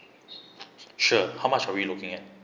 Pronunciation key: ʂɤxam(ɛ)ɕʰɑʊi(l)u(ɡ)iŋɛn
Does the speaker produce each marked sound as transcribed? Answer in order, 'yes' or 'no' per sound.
no, yes, no

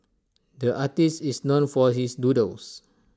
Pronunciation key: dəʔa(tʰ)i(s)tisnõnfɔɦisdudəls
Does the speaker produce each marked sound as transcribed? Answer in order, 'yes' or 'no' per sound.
no, yes

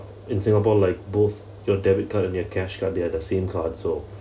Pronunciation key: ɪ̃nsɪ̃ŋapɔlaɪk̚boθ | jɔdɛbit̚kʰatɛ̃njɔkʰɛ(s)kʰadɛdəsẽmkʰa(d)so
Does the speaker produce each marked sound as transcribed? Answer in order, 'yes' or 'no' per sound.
no, yes

